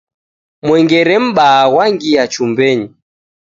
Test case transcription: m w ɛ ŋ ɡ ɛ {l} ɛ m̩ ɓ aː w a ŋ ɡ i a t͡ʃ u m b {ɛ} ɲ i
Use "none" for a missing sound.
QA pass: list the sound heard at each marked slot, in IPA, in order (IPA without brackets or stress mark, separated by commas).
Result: ɾ, ɛ